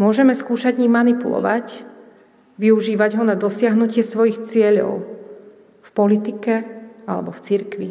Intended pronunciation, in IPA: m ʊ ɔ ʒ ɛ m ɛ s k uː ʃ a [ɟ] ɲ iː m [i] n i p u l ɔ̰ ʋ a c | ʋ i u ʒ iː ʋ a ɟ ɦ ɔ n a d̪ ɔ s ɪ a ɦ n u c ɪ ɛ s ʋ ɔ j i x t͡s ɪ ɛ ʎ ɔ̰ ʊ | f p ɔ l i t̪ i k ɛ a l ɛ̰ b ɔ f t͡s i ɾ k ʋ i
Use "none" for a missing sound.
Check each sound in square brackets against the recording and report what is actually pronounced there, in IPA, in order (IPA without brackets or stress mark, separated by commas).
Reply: ɟ, a